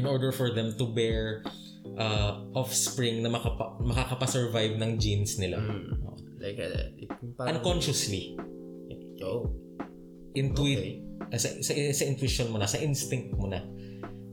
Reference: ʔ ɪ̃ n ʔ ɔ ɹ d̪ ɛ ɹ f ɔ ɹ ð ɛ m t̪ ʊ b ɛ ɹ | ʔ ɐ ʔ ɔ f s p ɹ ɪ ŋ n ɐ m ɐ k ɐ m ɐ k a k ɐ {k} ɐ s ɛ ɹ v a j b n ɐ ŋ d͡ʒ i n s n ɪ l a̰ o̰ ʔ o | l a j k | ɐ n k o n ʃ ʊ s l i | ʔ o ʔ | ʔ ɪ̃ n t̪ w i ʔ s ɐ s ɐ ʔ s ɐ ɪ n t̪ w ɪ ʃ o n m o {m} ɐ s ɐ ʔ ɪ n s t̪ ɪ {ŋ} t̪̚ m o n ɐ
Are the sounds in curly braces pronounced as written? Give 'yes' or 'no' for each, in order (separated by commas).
no, no, yes